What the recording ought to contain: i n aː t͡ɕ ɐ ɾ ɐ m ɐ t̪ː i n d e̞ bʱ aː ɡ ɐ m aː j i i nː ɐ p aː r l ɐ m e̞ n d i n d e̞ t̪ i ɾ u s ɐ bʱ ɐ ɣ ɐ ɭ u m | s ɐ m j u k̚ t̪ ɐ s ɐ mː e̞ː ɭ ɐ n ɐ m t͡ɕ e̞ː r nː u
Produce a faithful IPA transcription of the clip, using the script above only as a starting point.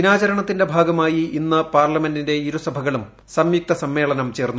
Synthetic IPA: i n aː t͡ɕ ɐ ɾ ɐ ɳ ɐ t̪ː i n d e̞ bʱ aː ɡ ɐ m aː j i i nː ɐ p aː r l ɐ m e̞ n d i n d e̞ i ɾ u s ɐ bʱ ɐ ɣ ɐ ɭ u m | s ɐ m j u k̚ t̪ ɐ s ɐ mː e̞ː ɭ ɐ n ɐ m t͡ɕ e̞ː r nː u